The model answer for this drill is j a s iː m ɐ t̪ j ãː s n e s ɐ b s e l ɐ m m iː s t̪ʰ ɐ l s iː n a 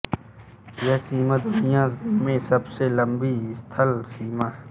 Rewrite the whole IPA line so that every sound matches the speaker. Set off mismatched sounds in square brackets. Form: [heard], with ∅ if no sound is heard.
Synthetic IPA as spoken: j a s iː m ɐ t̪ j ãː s [m] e s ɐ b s e l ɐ m [b] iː s t̪ʰ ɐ l s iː [m] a